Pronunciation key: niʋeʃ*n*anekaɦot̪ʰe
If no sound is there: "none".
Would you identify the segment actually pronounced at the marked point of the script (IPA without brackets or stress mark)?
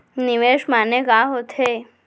m